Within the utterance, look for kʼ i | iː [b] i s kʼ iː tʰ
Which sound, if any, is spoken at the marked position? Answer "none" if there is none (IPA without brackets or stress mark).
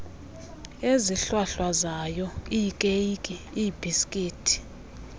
b